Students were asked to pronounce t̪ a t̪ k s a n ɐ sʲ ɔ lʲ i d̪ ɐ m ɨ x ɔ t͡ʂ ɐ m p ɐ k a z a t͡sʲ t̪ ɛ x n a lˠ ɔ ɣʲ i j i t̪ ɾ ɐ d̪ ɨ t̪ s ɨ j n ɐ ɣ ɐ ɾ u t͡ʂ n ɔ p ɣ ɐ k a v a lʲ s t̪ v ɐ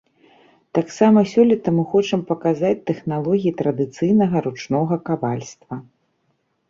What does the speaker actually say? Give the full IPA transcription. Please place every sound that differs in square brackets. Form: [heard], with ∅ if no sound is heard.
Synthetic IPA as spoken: t̪ a [∅] k s a [m] ɐ sʲ ɔ lʲ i [t̪] ɐ m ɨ x ɔ t͡ʂ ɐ m p ɐ k a z a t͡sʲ t̪ ɛ x n a lˠ ɔ ɣʲ i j i t̪ ɾ ɐ d̪ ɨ t̪ s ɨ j n ɐ ɣ ɐ ɾ u t͡ʂ n ɔ [∅] ɣ ɐ k a v a lʲ s t̪ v ɐ